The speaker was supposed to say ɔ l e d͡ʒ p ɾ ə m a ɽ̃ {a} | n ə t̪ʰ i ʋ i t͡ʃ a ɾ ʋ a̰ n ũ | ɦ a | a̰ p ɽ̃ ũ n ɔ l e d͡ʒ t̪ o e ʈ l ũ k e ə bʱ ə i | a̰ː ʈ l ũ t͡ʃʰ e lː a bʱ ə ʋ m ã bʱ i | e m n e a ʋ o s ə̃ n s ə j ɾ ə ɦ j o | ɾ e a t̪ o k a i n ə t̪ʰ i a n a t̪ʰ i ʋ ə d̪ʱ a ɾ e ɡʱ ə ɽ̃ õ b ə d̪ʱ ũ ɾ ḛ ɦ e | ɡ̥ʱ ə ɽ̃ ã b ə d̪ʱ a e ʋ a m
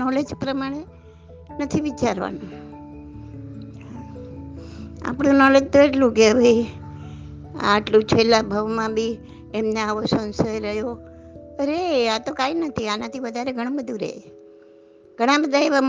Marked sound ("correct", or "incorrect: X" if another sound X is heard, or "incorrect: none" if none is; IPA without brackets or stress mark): incorrect: e